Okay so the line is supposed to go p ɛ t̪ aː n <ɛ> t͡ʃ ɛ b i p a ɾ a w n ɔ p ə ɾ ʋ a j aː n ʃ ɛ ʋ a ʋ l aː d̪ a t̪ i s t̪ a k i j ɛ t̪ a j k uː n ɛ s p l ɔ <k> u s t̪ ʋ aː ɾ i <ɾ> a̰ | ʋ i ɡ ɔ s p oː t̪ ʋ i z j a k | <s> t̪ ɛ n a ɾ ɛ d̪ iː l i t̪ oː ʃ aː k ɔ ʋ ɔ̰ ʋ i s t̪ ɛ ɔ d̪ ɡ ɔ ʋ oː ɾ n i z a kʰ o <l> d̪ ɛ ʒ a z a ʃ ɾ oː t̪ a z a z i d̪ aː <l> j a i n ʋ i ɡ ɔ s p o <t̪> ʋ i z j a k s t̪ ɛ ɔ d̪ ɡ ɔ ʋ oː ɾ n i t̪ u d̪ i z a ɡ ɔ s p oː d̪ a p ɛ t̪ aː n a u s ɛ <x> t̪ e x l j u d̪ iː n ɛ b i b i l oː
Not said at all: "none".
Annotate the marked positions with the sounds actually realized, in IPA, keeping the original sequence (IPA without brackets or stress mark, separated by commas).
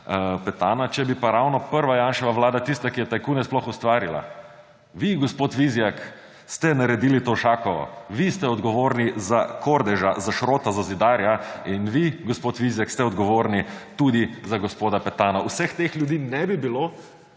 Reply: a, x, l, s, ɾ, ɾ, t̪, x